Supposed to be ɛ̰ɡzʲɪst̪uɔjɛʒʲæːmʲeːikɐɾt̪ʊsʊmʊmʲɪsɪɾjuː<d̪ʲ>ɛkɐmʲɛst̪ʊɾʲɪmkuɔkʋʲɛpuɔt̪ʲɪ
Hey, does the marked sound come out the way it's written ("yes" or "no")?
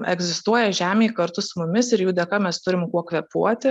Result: yes